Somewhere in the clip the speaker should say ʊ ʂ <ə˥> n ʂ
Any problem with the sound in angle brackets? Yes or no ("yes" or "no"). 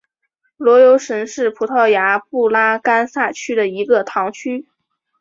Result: yes